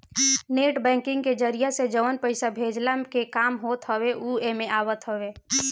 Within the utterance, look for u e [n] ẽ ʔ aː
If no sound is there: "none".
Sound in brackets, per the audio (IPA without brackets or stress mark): m